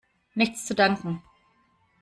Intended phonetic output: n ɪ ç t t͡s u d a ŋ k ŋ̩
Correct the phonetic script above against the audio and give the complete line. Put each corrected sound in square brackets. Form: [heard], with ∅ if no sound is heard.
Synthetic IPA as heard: n ɪ ç [t͡s] t͡s u d a ŋ k ŋ̩